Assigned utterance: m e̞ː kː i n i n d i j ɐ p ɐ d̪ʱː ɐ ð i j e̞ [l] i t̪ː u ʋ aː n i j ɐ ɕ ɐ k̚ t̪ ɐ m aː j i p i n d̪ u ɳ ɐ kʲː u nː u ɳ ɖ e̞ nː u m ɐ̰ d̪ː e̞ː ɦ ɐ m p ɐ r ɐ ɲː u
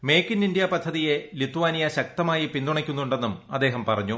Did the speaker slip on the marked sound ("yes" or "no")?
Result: no